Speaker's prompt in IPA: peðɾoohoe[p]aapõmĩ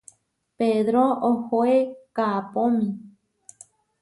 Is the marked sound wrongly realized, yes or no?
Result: yes